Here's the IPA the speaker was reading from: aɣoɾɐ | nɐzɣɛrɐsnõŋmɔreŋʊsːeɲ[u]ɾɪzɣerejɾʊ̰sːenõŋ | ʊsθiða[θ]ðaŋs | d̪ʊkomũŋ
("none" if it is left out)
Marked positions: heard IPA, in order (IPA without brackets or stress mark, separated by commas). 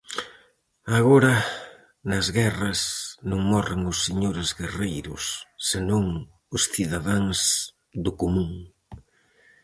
o, none